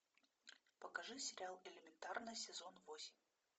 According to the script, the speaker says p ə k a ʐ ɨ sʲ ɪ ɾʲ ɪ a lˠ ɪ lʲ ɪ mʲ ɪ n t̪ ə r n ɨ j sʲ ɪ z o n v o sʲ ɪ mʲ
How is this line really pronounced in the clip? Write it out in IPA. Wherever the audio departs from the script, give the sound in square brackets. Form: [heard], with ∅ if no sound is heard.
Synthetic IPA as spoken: p ə k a ʐ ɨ sʲ ɪ ɾʲ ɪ a lˠ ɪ lʲ ɪ mʲ ɪ n t̪ [a] r n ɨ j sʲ ɪ z o n v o sʲ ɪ mʲ